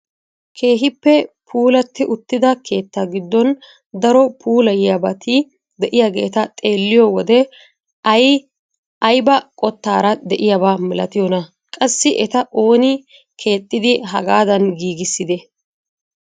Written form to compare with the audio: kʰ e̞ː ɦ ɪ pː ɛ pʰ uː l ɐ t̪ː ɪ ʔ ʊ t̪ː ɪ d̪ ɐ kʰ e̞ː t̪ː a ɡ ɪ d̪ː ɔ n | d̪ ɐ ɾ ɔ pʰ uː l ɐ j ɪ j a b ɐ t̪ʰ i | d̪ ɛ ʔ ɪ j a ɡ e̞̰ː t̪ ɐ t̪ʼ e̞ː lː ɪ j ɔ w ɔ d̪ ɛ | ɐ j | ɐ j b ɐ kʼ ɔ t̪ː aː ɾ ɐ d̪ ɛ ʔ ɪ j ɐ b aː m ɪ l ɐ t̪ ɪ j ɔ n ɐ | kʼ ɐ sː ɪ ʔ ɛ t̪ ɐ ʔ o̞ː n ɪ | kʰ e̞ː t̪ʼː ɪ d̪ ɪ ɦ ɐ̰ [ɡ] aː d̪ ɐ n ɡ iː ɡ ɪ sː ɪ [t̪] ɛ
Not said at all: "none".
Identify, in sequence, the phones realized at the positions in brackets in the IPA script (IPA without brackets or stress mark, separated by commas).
ɡ, d̪